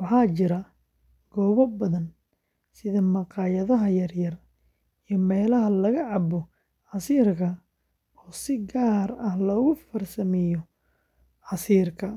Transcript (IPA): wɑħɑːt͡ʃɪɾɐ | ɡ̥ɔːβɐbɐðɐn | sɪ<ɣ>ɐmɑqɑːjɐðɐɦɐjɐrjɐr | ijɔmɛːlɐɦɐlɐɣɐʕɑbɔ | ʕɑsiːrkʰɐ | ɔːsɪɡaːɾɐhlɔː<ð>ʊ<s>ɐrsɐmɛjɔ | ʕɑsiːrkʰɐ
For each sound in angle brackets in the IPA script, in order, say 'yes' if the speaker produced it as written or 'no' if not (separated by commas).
no, no, no